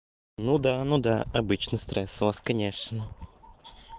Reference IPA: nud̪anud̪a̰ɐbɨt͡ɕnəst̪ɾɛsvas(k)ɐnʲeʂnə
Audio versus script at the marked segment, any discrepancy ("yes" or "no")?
no